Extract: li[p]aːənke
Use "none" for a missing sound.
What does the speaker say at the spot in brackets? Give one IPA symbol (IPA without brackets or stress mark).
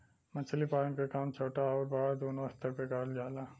p